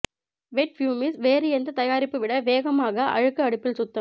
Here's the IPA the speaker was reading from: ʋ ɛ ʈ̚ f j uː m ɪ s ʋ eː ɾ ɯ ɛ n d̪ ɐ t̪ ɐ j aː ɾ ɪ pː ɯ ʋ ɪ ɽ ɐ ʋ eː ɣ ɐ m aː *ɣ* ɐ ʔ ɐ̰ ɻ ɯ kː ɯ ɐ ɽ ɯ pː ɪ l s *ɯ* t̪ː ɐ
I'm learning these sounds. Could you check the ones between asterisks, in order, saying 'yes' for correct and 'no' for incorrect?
yes, no

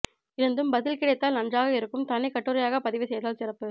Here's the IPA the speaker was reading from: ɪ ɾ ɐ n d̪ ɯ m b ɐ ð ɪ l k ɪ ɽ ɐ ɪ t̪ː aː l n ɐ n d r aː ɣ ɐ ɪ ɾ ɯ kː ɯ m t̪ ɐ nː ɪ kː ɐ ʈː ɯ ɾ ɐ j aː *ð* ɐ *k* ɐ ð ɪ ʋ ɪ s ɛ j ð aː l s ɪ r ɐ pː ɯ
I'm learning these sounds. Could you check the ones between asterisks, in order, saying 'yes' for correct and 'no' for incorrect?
no, no

